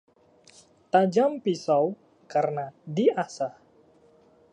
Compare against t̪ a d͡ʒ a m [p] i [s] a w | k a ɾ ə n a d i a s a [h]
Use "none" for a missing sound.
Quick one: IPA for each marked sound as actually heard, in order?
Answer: p, s, h

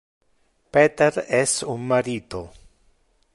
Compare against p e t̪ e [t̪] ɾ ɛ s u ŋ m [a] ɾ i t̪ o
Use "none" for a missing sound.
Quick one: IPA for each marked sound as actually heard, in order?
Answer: none, a

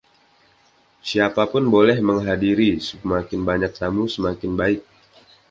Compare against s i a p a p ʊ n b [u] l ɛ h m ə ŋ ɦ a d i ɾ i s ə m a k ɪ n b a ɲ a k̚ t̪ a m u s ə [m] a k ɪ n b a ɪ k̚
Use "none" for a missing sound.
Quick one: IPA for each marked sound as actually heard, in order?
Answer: o, m

